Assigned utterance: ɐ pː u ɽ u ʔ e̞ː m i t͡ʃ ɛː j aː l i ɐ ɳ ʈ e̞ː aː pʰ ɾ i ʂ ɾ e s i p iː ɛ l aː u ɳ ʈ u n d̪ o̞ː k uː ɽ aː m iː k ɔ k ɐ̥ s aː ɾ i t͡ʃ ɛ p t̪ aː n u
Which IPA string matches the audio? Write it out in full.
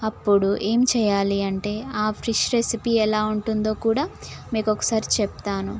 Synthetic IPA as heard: ɐ pː u ɽ u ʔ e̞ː m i t͡ʃ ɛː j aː l i ɐ ɳ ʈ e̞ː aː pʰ ɾ i ʂ ɾ e s i p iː ɛ l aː u ɳ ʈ u n d̪ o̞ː k uː ɽ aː m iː k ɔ k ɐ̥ s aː ɾ i t͡ʃ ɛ p t̪ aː n u